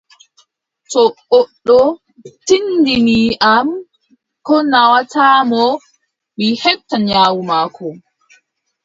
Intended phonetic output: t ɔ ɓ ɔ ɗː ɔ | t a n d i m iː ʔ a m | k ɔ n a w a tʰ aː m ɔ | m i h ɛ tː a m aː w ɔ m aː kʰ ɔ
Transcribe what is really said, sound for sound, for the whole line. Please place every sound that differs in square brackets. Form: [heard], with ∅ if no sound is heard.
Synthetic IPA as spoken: t ɔ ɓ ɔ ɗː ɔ | t [i] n d i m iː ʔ a m | k ɔ n a w a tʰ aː m ɔ | m i h ɛ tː a [ɲ] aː w [u] m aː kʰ ɔ